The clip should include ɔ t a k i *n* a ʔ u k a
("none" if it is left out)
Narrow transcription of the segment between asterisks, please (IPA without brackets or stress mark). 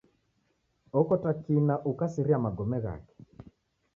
n